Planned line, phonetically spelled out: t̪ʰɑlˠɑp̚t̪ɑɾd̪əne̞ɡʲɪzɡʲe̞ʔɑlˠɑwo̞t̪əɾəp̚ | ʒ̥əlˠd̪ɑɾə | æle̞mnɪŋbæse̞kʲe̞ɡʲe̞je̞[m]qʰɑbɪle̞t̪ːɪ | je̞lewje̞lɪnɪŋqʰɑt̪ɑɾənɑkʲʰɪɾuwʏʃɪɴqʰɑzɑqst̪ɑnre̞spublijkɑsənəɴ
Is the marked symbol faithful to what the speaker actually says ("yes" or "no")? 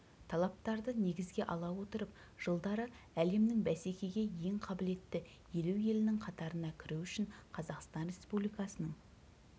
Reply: no